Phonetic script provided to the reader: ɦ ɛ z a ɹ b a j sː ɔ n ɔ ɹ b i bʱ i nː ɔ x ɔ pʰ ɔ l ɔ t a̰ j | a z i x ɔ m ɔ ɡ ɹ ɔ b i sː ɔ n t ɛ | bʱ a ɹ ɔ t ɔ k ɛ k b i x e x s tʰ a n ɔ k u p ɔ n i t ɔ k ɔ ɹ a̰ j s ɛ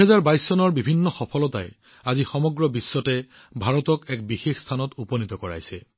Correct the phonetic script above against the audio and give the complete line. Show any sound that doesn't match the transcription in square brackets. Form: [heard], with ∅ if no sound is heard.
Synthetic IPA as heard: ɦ ɛ z a ɹ b a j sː ɔ n ɔ ɹ b i bʱ i nː ɔ x ɔ pʰ ɔ l ɔ t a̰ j | a z i x ɔ m ɔ ɡ ɹ ɔ b i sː ɔ [∅] t ɛ | bʱ a ɹ ɔ t ɔ k ɛ k b i x e x s tʰ a n ɔ [t] u p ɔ n i t ɔ k ɔ ɹ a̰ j s ɛ